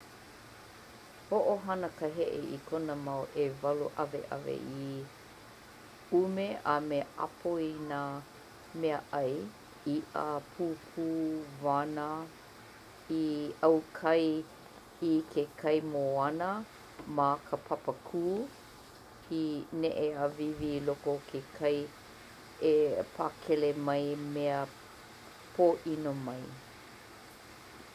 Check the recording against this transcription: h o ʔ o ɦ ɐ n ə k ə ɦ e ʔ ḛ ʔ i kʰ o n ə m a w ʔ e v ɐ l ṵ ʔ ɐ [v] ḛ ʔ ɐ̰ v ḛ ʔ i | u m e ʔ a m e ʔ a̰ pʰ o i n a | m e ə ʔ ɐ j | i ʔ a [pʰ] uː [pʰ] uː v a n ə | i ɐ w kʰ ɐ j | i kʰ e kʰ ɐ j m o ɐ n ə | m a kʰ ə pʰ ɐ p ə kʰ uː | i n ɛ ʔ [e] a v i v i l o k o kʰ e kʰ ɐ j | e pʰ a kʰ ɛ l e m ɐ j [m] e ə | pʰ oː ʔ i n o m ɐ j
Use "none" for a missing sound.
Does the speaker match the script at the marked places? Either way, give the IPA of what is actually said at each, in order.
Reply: v, pʰ, pʰ, e, m

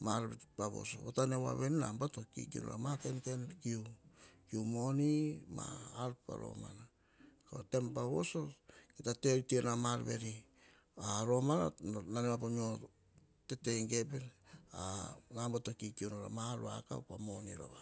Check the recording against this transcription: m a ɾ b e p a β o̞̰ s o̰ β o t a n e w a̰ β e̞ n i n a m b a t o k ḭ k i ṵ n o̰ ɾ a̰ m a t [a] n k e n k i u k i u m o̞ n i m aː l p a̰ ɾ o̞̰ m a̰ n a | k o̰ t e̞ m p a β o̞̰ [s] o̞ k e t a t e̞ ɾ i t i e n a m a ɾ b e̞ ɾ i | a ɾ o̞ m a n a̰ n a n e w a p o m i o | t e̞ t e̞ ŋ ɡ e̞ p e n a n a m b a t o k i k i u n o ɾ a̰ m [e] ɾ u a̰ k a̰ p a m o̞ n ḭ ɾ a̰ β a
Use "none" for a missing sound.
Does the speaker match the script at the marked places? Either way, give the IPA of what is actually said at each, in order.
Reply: e, s, a

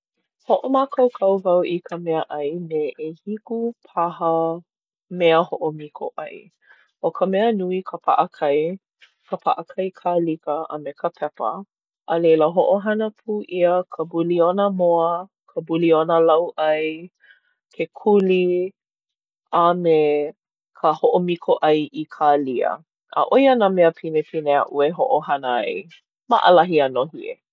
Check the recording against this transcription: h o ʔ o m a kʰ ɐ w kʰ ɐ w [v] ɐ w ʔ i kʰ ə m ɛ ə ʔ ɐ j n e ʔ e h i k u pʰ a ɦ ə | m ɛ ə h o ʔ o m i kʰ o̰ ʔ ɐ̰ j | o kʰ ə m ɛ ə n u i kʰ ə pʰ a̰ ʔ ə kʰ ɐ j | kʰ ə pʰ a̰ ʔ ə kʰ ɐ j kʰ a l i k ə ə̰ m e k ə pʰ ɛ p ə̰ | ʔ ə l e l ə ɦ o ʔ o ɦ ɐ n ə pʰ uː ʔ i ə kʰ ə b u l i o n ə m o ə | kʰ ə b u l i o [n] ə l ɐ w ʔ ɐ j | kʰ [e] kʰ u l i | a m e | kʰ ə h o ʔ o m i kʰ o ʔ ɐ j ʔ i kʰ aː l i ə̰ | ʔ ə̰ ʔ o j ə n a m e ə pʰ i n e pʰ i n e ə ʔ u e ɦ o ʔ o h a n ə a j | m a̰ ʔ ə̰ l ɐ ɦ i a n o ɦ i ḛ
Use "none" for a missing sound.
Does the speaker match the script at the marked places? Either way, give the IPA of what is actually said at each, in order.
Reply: v, n, e

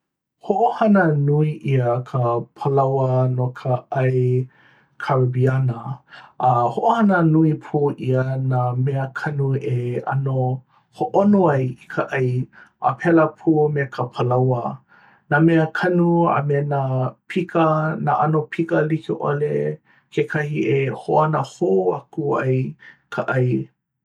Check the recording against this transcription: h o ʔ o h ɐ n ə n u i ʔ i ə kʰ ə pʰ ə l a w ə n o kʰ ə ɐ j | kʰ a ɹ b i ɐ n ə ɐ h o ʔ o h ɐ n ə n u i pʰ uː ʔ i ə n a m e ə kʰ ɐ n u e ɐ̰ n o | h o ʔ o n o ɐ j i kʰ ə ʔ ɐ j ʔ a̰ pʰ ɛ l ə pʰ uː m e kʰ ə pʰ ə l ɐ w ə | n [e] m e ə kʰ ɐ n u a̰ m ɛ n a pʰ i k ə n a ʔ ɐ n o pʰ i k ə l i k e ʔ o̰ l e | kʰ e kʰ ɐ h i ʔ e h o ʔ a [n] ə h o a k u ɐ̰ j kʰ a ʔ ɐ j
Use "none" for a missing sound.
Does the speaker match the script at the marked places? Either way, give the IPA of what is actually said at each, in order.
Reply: a, n

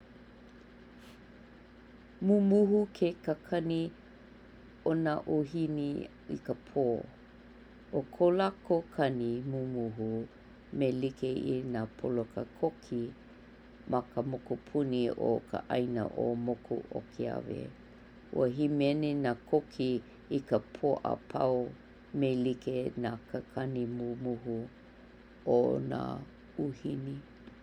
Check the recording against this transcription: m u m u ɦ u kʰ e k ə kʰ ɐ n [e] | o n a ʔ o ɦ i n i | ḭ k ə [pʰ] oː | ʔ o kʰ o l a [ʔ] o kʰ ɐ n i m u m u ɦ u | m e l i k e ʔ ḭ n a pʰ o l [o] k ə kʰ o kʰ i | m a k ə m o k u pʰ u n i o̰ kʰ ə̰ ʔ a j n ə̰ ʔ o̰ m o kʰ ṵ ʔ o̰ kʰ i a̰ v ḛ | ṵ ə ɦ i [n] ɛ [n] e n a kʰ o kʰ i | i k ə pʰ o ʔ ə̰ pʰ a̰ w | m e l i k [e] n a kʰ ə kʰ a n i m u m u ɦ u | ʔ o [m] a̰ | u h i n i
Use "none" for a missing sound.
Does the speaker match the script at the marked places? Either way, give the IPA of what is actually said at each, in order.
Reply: i, pʰ, k, o, m, n, e, n

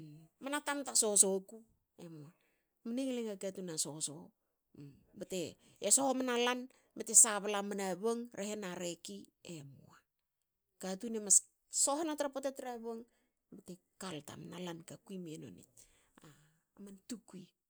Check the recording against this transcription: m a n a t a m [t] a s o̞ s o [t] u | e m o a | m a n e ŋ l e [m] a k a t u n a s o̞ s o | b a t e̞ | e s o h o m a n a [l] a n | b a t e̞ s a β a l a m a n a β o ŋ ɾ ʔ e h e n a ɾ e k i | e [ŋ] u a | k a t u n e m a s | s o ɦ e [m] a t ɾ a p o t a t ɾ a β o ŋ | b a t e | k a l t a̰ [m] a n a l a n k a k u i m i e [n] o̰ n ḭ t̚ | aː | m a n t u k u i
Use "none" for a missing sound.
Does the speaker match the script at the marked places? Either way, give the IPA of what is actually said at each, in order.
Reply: t, k, ŋ, l, m, n, m, n

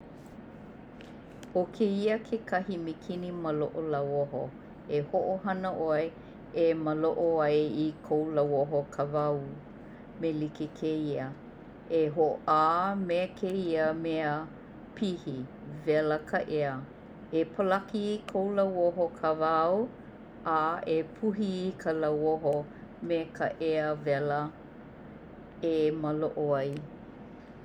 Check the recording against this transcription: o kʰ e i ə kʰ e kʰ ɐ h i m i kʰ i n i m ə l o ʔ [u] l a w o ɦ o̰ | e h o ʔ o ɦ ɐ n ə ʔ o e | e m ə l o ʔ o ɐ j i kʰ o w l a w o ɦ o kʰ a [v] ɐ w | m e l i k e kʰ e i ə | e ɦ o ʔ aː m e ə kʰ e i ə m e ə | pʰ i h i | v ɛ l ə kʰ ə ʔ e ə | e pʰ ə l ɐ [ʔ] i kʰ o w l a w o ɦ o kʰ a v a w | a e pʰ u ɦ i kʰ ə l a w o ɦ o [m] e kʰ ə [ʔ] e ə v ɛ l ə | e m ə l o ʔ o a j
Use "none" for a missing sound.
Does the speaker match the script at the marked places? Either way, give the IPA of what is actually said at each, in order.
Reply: o, v, k, m, ʔ

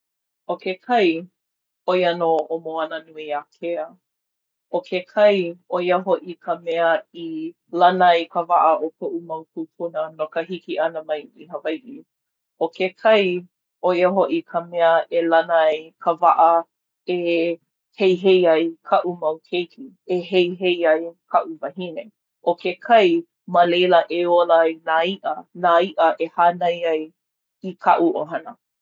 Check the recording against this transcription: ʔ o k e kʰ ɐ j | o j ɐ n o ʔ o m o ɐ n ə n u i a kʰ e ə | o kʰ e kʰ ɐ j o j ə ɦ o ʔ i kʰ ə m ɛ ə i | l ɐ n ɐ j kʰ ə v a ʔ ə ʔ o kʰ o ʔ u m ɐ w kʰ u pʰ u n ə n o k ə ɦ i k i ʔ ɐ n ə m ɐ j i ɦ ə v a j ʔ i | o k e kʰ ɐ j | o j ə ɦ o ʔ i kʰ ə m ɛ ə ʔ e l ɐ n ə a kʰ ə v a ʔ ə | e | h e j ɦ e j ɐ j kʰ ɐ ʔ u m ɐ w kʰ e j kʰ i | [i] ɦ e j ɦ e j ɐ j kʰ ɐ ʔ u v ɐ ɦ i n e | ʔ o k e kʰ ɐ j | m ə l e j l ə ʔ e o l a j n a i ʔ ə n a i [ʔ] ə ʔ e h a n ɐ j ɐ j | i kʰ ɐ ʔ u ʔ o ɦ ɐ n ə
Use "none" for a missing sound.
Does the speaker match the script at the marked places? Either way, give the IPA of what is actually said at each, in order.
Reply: e, ʔ

